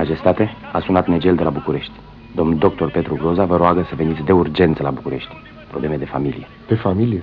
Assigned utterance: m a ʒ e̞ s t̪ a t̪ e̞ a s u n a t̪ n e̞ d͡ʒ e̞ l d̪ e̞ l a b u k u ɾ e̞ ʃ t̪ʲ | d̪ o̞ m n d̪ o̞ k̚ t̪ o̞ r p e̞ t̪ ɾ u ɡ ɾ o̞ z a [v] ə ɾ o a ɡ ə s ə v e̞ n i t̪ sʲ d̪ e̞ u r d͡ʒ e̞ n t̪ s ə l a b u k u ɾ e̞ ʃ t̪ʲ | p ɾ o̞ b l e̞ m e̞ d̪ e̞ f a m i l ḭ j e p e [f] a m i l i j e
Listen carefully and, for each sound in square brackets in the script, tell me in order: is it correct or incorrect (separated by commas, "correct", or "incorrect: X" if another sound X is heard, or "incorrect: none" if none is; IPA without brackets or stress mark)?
correct, correct